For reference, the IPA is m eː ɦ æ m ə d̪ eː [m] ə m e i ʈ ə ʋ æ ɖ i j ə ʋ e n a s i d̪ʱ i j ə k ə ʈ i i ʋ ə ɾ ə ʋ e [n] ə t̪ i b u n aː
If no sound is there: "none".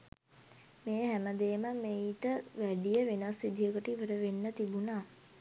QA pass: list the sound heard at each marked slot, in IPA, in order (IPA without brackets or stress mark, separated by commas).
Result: m, nː